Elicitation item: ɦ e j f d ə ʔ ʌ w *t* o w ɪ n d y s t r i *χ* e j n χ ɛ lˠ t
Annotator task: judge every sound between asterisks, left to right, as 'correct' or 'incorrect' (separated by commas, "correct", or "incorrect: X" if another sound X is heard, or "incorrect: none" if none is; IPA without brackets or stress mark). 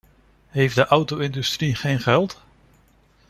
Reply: correct, correct